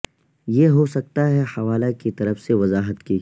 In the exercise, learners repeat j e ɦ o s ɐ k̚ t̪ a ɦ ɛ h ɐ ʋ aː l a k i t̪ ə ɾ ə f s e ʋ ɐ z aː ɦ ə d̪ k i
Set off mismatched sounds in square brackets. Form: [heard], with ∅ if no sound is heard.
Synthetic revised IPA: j e ɦ o s ɐ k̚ t̪ a ɦ ɛ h ɐ ʋ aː l a k i t̪ [ɐ] ɾ ə f s e ʋ ɐ z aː ɦ ə [t̪] k i